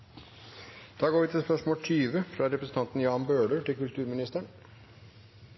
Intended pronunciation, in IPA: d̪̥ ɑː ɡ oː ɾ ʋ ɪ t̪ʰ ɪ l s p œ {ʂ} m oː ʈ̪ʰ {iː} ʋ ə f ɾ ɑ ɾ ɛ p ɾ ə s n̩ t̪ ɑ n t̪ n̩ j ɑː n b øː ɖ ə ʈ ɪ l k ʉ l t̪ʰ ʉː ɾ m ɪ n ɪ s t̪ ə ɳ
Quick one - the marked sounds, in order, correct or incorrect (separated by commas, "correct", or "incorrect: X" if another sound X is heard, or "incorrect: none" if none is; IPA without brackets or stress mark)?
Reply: correct, incorrect: yː